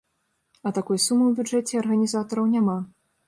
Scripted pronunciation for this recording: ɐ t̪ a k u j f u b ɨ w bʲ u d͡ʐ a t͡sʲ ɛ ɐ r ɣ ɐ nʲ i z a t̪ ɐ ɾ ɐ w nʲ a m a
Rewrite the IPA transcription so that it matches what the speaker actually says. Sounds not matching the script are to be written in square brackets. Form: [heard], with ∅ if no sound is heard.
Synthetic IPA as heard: ɐ t̪ a k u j [s] u [m] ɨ w bʲ u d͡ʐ [ɛ] t͡sʲ ɛ ɐ r ɣ ɐ nʲ i z a t̪ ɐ ɾ ɐ w nʲ a m a